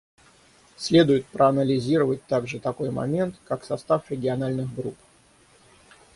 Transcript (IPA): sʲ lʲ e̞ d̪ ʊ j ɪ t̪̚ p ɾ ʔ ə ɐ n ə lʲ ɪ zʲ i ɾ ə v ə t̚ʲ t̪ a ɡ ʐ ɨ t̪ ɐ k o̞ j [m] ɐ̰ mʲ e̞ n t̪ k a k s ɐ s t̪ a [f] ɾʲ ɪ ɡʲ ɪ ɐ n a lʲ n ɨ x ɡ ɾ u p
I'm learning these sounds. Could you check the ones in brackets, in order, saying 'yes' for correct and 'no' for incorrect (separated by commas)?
yes, yes